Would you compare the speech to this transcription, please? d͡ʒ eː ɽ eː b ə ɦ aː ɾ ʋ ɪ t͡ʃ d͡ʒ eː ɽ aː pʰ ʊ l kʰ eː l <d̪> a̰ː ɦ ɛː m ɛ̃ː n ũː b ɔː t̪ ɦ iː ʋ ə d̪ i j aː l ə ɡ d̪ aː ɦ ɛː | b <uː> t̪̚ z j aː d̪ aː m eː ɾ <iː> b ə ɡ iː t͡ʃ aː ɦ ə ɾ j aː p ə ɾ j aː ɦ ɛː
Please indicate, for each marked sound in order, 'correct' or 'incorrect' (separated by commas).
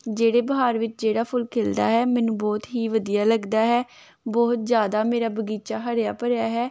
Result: correct, incorrect, incorrect